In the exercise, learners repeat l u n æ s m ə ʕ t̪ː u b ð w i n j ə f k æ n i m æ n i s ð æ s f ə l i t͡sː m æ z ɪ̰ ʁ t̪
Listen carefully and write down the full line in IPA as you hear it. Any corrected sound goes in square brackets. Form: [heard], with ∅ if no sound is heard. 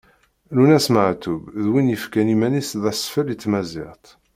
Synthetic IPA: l u n æ s m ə ʕ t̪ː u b ð w i n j ə f k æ n i m æ n i s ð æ s f ə l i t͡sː m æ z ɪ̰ ʁ t̪

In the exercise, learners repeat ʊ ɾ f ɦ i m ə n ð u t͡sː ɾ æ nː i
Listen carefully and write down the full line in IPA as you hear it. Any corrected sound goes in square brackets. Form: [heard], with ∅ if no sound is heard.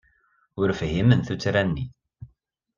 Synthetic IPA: ʊ ɾ f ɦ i m ə n [θ] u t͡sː ɾ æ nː i

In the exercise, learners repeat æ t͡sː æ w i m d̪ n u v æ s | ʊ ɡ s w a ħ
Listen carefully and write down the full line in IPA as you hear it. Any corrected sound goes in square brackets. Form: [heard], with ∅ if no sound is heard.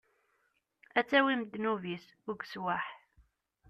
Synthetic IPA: æ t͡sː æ w i m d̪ n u v [i] s | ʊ ɡ s w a ħ

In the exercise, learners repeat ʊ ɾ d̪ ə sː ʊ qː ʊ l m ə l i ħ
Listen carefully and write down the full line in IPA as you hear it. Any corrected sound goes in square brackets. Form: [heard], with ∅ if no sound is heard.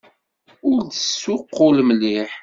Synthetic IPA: ʊ ɾ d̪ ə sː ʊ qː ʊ l m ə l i ħ

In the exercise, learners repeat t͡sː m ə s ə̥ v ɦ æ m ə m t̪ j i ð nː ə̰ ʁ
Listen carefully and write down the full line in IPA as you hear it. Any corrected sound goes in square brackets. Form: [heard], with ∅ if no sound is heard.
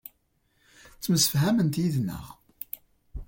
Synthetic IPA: t͡sː m ə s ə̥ [f] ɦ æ m ə [n] t̪ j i ð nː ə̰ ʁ

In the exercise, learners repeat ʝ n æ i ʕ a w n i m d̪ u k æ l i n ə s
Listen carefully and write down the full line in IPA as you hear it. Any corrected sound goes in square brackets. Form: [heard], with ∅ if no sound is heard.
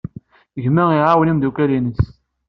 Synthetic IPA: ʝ [m] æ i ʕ a w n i m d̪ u k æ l i n ə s

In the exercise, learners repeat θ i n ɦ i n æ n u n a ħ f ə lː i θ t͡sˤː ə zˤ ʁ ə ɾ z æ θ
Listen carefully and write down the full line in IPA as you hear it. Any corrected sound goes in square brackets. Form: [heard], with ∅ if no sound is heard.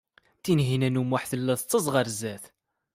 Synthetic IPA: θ i n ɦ i n æ n u [m] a ħ [θ] ə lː [æ] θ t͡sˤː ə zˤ ʁ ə ɾ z æ θ

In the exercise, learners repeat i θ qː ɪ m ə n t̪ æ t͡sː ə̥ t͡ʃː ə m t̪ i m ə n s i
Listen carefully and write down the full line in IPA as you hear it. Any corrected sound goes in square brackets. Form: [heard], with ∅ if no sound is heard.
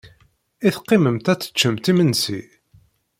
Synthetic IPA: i θ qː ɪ m ə [m] t̪ æ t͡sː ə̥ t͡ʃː ə m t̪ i m ə n s i

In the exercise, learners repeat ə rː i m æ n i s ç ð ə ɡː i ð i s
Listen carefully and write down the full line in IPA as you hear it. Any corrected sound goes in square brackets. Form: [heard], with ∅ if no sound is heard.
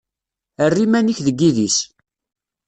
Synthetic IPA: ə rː i m æ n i [∅] ç ð ə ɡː i ð i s

